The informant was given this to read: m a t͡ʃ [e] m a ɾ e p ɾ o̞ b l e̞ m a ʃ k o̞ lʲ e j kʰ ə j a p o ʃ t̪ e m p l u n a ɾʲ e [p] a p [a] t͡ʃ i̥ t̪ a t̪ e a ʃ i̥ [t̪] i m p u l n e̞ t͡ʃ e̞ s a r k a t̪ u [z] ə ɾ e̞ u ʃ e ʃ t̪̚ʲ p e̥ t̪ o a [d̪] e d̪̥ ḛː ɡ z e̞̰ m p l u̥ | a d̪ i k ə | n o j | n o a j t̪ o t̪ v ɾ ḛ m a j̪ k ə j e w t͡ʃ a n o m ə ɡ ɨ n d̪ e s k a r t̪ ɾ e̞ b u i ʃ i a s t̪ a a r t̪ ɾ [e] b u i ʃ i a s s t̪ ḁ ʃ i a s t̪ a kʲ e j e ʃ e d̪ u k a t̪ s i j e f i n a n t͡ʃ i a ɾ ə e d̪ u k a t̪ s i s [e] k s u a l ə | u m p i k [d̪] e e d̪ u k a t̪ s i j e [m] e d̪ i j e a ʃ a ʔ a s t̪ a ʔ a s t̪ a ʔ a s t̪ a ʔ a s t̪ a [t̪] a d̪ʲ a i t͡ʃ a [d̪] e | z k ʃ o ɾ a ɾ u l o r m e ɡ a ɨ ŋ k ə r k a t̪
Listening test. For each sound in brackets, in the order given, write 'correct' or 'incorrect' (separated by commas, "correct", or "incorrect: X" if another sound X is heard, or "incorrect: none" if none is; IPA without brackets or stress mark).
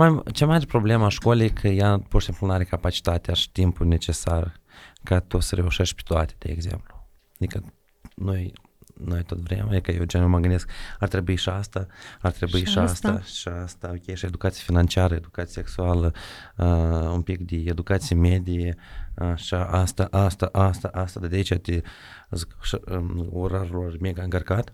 correct, incorrect: k, correct, correct, incorrect: s, incorrect: t̪, correct, correct, correct, correct, incorrect: d̪, incorrect: t̪